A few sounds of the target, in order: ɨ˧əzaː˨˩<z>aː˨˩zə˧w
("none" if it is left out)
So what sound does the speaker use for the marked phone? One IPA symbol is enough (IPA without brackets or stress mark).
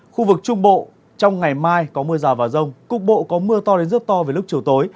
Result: v